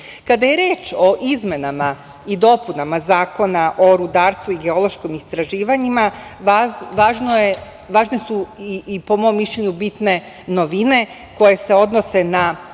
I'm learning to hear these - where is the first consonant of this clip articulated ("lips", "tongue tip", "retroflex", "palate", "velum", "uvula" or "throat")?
velum